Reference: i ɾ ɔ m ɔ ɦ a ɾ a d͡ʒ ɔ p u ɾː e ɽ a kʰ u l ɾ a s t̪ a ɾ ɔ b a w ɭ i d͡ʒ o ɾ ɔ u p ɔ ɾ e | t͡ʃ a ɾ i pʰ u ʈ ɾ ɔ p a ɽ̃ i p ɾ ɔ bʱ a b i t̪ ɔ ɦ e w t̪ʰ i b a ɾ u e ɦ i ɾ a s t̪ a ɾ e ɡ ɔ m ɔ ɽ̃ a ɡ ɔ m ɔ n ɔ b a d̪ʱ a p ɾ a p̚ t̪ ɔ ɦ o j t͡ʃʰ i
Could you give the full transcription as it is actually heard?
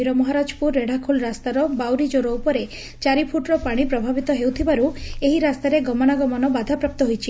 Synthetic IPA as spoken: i ɾ ɔ m ɔ ɦ a ɾ a d͡ʒ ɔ p u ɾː e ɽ a kʰ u l ɾ a s t̪ a ɾ ɔ b a w ɾ i d͡ʒ o ɾ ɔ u p ɔ ɾ e | t͡ʃ a ɾ i pʰ u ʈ ɾ ɔ p a ɽ̃ i p ɾ ɔ bʱ a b i t̪ ɔ ɦ e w t̪ʰ i b a ɾ u e ɦ i ɾ a s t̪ a ɾ e ɡ ɔ m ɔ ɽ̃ a ɡ ɔ m ɔ n ɔ b a d̪ʱ a p ɾ a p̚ t̪ ɔ ɦ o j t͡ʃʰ i